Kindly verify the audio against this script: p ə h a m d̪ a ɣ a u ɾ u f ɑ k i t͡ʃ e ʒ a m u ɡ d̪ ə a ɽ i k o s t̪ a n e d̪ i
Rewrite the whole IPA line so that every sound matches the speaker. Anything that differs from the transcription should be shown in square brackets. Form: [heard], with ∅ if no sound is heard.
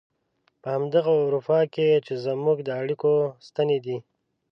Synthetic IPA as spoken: p ə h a m d̪ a ɣ a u ɾ u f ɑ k [e] t͡ʃ e [z] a m u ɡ d̪ ə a ɽ i k o s t̪ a n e d̪ i